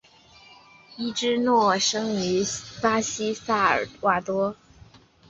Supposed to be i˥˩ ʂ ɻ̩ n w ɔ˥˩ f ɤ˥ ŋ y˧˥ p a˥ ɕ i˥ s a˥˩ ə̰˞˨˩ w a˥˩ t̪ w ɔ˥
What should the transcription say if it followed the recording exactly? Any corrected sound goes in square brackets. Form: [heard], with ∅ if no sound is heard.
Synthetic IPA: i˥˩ [ʈ͡ʂ] ɻ̩ n w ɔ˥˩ [ʂ] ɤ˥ ŋ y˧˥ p a˥ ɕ i˥ s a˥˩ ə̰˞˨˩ w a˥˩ t̪ w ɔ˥